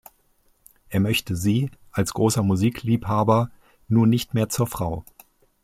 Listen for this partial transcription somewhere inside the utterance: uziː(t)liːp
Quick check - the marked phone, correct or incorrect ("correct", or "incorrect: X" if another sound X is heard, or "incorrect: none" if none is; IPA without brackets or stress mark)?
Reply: incorrect: k